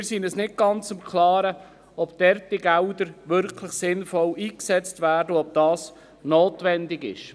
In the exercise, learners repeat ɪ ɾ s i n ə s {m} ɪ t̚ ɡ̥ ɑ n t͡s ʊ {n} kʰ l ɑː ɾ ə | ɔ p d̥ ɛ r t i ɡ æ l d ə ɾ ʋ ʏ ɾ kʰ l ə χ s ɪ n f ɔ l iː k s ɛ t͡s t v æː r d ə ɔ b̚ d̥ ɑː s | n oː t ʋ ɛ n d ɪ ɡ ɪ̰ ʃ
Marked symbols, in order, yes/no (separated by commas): no, no